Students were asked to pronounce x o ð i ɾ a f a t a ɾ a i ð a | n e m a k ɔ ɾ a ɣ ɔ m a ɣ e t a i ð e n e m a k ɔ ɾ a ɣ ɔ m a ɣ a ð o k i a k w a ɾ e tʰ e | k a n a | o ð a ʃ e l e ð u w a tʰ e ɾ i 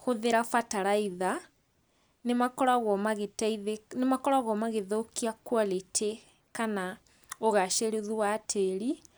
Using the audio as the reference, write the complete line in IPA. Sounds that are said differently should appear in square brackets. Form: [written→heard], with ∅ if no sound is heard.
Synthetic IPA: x o ð [i→e] ɾ a f a t a ɾ a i ð a | n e m a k ɔ ɾ a ɣ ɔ m a ɣ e t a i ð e n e m a k ɔ ɾ a ɣ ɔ m a ɣ [a→e] ð o k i a k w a [ɾ→l] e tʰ e | k a n a | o [ð→ɣ] a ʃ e [l→ɾ] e ð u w a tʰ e ɾ i